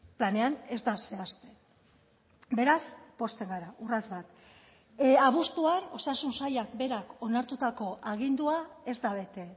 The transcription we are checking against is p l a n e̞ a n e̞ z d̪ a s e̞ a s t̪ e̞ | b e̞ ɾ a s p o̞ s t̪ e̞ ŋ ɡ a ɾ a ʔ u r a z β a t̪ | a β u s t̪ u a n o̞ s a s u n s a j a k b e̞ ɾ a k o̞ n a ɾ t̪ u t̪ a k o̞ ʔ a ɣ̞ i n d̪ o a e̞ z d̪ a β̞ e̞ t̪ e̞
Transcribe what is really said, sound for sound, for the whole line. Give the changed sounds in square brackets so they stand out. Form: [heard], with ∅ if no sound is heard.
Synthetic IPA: p l a n e̞ a n e̞ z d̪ a s e̞ a s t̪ e̞ | b e̞ ɾ a s p o̞ s t̪ e̞ ŋ ɡ a ɾ a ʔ u r a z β a t̪ | a β u s t̪ u a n o̞ s a s u n s a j a k b e̞ ɾ a k o̞ n a ɾ t̪ u t̪ a k o̞ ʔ a ɣ̞ i n d̪ [u] a e̞ z d̪ a β̞ e̞ t̪ e̞